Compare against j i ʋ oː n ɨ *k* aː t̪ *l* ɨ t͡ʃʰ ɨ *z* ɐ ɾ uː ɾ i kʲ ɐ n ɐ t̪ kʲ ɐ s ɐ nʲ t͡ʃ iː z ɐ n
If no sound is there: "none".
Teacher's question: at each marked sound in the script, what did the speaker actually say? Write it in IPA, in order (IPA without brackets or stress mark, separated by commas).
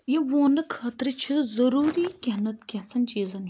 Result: kʰ, ɾ, z